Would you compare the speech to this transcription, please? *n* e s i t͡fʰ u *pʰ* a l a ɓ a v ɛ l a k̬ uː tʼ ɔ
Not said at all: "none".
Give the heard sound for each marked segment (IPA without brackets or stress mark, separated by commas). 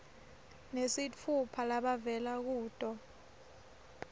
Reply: n, pʰ